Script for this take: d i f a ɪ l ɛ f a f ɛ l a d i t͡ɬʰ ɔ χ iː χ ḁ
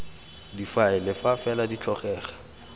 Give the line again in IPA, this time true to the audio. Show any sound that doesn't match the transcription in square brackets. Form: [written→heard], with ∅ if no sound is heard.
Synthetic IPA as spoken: d i f a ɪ l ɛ f a f ɛ l a d i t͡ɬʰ ɔ χ [iː→ɛː] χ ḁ

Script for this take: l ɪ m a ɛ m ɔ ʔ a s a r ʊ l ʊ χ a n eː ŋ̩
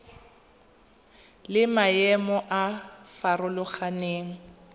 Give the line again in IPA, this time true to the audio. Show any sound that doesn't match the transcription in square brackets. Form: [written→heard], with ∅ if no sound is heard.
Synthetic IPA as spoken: l ɪ m a ɛ m ɔ ʔ a [s→f] a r ʊ l ʊ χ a n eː ŋ̩

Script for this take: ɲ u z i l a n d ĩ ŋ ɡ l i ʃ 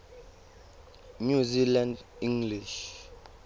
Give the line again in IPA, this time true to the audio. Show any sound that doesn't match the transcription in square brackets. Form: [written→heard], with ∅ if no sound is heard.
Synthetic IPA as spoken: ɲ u z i l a n d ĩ ŋ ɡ l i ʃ

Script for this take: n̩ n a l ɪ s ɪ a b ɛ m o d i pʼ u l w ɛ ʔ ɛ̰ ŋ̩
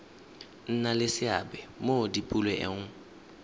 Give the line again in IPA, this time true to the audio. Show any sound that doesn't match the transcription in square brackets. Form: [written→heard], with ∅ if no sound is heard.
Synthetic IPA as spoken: n̩ n a l ɪ s ɪ a b ɛ m o d i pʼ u l w ɛ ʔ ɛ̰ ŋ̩

